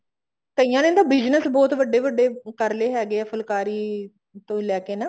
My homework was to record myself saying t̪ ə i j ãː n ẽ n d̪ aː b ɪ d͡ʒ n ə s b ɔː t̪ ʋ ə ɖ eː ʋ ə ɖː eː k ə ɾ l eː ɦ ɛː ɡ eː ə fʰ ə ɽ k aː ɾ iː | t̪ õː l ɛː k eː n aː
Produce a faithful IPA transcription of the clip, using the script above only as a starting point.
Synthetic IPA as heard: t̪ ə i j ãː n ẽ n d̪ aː b ɪ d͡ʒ n ə s b ɔː t̪ ʋ ə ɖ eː ʋ ə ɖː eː k ə ɾ l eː ɦ ɛː ɡ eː ə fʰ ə l k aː ɾ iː | t̪ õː l ɛː k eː n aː